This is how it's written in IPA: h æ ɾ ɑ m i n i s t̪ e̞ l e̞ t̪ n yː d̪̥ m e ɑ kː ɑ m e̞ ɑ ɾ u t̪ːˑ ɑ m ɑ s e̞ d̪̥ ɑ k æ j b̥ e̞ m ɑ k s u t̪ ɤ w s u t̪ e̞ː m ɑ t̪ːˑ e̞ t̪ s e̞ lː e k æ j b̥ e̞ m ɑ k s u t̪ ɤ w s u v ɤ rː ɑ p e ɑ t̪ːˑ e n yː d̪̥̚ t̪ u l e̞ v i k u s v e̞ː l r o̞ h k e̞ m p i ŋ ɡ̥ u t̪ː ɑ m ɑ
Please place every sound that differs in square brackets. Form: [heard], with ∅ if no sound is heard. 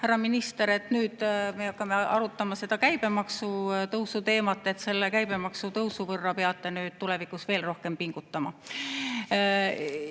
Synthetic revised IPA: h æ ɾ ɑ m i n i s t̪ e̞ [ɾ] e̞ t̪ n yː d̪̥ m e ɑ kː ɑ m e̞ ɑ ɾ u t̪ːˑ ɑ m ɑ s e̞ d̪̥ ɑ k æ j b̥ e̞ m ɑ k s u t̪ ɤ w s u t̪ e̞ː m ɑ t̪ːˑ e̞ t̪ s e̞ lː e k æ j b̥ e̞ m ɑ k s u t̪ ɤ w s u v ɤ rː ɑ p e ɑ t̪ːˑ e n yː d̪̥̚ t̪ u l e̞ v i k u s v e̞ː l r o̞ h k e̞ m p i ŋ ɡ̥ u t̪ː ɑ m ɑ

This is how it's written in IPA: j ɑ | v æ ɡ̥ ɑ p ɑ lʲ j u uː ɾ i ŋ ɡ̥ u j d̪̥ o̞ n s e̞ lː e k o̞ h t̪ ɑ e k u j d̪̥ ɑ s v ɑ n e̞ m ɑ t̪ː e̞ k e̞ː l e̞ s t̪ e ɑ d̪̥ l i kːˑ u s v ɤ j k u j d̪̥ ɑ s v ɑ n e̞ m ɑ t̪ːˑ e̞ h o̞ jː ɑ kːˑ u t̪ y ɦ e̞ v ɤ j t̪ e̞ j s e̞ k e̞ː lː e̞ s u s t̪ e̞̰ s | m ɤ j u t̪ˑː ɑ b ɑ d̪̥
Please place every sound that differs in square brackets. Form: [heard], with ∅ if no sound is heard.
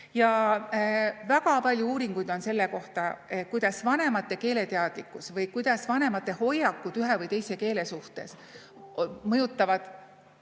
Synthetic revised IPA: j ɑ | v æ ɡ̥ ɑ p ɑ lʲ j u uː ɾ i ŋ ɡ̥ u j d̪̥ o̞ n s e̞ lː e k o̞ h t̪ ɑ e k u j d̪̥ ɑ s v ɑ n e̞ m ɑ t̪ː e̞ k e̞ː l e̞ [∅] t̪ e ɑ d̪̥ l i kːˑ u s v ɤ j k u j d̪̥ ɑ s v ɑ n e̞ m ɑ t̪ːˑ e̞ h o̞ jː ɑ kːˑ u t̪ y ɦ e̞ v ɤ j t̪ e̞ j s e̞ k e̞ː [l] e̞ s u [h] t̪ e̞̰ s | m ɤ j u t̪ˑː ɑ [v] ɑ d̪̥

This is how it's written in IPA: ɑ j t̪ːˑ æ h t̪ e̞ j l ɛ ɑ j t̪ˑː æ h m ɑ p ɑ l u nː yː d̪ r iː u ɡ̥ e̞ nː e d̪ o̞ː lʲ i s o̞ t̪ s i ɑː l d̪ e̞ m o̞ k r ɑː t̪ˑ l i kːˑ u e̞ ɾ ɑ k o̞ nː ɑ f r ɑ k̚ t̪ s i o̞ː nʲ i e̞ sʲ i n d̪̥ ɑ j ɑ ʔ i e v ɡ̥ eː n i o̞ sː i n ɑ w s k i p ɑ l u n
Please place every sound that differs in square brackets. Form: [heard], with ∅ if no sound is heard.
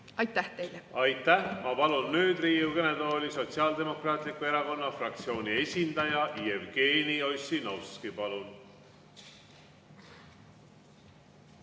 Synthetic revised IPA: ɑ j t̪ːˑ æ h t̪ e̞ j l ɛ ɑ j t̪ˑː æ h m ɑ p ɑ l u nː yː d̪ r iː u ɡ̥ e̞ [n] e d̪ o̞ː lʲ i s o̞ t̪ s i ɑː l d̪ e̞ m o̞ k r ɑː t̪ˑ l i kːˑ u e̞ ɾ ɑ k o̞ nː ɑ f r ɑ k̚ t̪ s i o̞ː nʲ i e̞ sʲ i n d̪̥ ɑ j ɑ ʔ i e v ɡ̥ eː n i o̞ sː i n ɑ w s k i p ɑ l u n

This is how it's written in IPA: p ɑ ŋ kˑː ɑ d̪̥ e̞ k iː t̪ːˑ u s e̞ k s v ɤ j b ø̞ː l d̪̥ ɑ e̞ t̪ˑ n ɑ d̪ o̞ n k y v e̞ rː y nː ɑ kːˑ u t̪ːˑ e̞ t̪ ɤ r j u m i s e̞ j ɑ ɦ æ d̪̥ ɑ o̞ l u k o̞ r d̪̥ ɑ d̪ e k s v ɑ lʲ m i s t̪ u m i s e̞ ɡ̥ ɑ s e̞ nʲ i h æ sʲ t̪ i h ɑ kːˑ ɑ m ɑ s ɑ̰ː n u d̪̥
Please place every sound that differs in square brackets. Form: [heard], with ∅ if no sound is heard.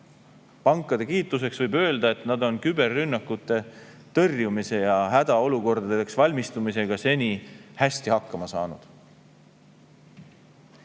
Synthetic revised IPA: p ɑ ŋ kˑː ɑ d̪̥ e̞ k iː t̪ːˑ u s e̞ k s v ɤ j b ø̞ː l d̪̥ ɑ e̞ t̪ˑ n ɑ d̪ o̞ n k y [b] e̞ rː y nː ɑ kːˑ u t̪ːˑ e̞ t̪ ɤ r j u m i s e̞ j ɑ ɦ æ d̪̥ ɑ o̞ l u k o̞ r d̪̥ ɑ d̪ e k s v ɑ lʲ m i s t̪ u m i s e̞ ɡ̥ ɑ s e̞ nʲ i h æ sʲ t̪ i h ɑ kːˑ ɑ m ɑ s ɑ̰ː n u d̪̥

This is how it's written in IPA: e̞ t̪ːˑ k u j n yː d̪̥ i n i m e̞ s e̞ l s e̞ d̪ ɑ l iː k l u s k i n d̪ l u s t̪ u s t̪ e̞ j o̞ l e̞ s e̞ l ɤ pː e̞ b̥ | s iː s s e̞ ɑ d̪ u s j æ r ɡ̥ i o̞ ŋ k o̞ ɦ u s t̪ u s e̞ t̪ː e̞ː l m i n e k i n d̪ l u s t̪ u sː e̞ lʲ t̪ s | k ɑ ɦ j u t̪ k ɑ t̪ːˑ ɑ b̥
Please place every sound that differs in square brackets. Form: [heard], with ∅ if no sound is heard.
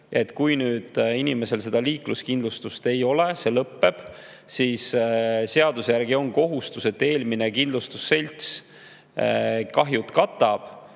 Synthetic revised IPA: e̞ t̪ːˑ k u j n yː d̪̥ i n i m e̞ s e̞ l s e̞ d̪ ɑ l iː k l u s k i n d̪ l u s t̪ u s t̪ e̞ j o̞ l e̞ s e̞ l ɤ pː e̞ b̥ | s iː s s e̞ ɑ d̪ u s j æ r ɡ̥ i o̞ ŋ k o̞ ɦ u s t̪ u s e̞ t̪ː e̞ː l m i n e k i n d̪ l u s t̪ u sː e̞ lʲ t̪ s | k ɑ ɦ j u t̪ k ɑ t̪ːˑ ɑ b̥

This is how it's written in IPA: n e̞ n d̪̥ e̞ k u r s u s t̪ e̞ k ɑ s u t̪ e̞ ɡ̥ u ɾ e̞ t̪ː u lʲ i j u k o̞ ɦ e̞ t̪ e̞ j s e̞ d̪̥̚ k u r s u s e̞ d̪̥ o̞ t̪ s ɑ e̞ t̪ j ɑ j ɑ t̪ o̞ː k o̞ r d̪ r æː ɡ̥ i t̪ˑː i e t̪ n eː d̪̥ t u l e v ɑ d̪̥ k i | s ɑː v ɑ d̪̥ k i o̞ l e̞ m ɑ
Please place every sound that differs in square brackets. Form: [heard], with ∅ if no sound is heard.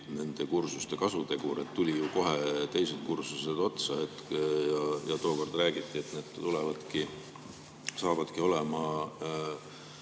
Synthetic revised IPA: n e̞ n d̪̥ e̞ k u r s u s t̪ e̞ k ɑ s u t̪ e̞ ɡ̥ u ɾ e̞ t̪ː u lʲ i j u k o̞ ɦ e̞ t̪ e̞ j s e̞ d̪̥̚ k u r s u s e̞ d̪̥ o̞ t̪ s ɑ e̞ t̪ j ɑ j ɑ t̪ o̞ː k o̞ r d̪ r æː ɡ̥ i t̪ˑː i e t̪ n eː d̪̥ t u l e v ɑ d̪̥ k i | s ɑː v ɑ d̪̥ k i o̞ l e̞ m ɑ

